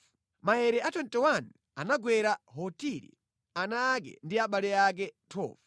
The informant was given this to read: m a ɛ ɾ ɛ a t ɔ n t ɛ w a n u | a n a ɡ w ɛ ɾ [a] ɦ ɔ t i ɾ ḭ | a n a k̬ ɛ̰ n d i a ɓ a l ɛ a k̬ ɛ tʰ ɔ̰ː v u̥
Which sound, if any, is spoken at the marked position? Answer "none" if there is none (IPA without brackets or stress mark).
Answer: a